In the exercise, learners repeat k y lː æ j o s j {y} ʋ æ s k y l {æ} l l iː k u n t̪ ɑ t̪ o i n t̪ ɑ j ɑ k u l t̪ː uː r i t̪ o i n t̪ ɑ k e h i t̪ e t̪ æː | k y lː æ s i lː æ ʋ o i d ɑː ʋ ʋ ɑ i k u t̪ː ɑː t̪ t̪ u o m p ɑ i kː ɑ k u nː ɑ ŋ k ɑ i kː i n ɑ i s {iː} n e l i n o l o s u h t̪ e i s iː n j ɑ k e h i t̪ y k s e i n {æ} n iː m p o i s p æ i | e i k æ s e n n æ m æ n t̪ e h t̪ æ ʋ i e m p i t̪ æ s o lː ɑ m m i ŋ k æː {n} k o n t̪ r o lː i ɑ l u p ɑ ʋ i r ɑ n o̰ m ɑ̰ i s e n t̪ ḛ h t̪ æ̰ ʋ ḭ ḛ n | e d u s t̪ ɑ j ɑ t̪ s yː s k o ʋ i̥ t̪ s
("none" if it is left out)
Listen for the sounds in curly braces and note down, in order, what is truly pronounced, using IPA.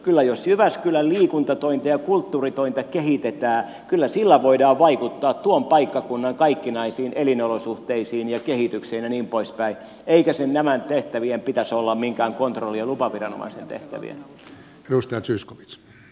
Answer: y, æ, iː, æ, ŋ

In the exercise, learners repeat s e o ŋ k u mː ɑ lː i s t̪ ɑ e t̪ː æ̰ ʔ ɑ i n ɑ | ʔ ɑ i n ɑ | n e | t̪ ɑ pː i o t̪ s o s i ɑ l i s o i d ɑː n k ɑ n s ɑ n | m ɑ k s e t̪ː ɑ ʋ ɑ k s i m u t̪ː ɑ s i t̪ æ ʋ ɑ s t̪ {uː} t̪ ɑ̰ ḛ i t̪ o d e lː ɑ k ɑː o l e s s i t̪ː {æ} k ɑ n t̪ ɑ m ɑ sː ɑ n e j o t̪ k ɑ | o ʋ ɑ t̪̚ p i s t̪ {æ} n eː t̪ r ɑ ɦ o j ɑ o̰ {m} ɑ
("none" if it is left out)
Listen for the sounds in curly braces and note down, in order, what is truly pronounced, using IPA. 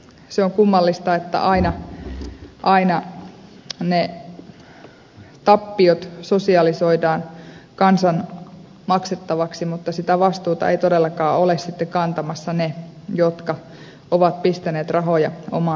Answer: uː, e, æ, m

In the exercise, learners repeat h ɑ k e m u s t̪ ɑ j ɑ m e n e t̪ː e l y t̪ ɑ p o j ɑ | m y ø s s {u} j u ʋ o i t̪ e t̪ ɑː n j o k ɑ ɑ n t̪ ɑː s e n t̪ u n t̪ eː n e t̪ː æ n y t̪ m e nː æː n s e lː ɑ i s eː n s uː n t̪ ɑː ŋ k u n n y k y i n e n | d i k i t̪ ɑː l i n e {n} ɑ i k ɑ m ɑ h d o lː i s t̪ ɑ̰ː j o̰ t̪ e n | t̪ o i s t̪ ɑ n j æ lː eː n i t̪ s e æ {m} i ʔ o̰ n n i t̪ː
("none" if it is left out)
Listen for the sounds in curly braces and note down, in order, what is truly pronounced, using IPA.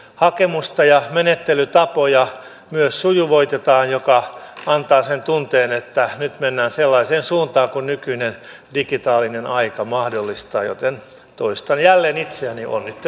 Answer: u, n, n

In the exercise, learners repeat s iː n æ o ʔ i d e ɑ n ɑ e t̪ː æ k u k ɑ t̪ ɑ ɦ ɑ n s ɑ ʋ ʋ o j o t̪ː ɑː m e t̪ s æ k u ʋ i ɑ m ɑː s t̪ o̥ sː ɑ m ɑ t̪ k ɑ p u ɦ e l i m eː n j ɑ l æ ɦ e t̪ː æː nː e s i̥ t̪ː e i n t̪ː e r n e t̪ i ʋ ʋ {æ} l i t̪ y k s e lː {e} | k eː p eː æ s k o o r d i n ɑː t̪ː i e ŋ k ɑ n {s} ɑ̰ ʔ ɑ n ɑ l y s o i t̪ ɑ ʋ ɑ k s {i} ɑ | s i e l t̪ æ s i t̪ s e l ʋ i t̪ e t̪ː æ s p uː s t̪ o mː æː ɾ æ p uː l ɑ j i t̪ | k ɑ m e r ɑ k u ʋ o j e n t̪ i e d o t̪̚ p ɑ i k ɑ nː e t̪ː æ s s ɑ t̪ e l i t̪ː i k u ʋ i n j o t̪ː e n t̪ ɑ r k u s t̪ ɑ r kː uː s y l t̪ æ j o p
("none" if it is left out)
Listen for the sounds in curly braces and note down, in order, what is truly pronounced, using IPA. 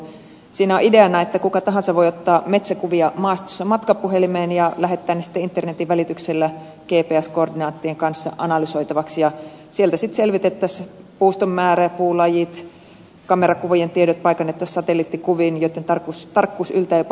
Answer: æ, æ, sː, j

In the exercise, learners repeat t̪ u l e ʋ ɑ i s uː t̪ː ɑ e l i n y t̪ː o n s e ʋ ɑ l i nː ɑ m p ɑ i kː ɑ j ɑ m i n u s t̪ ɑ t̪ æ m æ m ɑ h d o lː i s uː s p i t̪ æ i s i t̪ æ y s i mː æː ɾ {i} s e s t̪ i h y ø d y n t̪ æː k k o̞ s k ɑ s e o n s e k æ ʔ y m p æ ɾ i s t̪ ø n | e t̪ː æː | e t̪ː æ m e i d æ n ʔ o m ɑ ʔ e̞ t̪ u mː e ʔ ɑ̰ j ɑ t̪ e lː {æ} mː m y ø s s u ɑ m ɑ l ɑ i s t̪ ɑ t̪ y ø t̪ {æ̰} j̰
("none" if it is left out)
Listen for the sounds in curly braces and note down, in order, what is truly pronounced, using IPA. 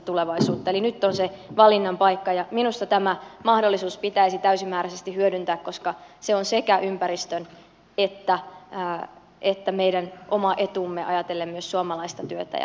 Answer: æ, e, æ̰

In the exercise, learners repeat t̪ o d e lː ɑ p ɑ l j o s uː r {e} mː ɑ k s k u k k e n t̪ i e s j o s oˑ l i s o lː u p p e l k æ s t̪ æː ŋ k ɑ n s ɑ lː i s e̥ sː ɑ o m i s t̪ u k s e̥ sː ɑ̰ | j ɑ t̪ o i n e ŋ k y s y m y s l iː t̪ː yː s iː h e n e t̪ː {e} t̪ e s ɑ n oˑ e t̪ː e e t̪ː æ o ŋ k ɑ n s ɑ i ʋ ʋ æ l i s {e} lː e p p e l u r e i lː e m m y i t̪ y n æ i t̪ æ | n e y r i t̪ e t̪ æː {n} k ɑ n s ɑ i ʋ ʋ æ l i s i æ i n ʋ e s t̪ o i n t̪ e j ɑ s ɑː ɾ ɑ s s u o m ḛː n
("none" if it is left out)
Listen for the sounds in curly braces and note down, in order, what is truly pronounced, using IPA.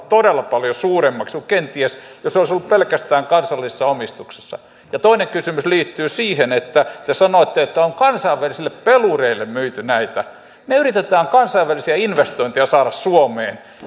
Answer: e, æ, i, ŋ

